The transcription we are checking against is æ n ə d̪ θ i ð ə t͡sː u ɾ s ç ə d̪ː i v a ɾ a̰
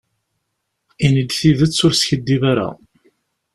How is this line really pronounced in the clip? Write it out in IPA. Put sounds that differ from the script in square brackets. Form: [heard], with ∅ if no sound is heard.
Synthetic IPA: [i] n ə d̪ θ i ð ə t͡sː [ʊ] ɾ s ç ə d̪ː i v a ɾ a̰